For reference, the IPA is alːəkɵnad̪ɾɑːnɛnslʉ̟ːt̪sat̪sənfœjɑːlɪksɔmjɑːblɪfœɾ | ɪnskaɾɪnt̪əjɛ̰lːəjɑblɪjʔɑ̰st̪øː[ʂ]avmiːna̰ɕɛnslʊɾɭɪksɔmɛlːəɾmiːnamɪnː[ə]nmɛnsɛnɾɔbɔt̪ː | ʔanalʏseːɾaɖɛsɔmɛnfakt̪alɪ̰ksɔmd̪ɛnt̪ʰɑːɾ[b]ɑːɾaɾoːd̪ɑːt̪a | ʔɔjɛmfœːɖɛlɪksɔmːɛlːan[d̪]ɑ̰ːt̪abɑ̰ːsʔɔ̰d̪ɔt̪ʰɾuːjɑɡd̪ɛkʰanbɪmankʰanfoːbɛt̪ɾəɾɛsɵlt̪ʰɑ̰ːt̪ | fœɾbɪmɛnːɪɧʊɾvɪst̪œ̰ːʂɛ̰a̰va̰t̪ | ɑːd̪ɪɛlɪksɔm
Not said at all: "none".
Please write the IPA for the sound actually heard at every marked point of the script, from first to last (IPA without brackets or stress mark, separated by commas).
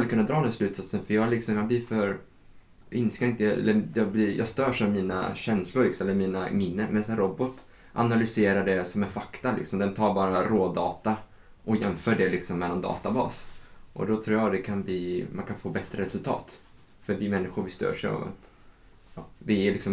ʂ, ə, b, d̪